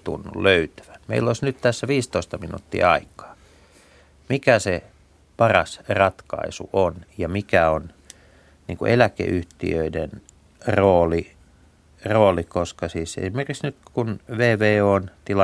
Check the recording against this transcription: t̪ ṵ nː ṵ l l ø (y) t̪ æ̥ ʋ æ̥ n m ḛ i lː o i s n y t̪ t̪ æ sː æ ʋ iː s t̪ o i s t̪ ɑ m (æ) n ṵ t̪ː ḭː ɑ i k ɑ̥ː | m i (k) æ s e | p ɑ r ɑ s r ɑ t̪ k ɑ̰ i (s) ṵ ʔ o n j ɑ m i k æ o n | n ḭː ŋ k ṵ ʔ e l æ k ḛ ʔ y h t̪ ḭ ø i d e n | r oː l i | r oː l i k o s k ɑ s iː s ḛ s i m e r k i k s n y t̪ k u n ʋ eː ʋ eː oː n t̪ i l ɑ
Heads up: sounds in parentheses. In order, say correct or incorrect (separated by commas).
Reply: correct, incorrect, correct, correct